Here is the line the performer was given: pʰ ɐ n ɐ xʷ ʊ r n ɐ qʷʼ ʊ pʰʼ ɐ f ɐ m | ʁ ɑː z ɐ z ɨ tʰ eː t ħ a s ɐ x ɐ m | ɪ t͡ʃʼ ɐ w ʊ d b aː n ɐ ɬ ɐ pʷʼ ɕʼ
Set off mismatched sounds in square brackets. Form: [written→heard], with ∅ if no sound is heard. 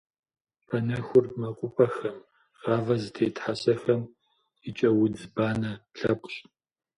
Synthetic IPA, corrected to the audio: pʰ ɐ n ɐ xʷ ʊ r [n→m] ɐ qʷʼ ʊ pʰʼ ɐ [f→x] ɐ m | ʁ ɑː [z→v] ɐ z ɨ tʰ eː t ħ a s ɐ x ɐ m | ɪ t͡ʃʼ ɐ w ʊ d b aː n ɐ ɬ ɐ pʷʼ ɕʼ